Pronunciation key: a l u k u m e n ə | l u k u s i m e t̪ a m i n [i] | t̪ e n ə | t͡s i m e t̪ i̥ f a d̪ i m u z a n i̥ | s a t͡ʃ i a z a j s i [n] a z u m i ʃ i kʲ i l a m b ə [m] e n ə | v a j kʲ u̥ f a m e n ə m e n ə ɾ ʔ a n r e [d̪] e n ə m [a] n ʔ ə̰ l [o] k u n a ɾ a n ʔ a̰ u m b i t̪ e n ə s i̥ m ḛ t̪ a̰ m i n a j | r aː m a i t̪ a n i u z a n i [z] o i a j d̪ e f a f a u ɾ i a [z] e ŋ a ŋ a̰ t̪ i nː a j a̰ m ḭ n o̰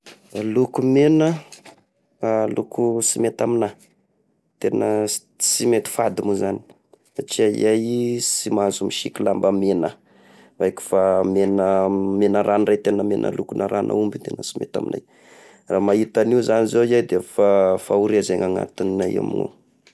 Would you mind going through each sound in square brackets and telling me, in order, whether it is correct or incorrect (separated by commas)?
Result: incorrect, incorrect, correct, incorrect, incorrect, incorrect, correct, correct